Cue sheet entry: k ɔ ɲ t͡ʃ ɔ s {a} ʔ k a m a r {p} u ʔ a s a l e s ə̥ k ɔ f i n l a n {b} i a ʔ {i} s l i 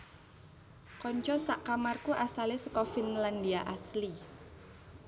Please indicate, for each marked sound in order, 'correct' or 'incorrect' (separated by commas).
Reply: correct, incorrect, incorrect, incorrect